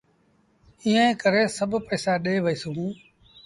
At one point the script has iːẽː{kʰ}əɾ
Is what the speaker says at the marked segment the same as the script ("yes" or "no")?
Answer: no